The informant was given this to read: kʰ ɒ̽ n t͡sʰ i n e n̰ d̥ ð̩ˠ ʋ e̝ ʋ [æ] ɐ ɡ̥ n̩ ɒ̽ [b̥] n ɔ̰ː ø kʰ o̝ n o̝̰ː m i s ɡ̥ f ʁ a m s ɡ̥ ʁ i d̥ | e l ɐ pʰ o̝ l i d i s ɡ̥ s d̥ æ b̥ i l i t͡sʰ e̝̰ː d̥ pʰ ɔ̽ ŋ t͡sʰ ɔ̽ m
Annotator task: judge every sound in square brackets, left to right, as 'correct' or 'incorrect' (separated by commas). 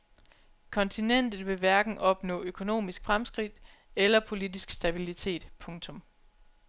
correct, correct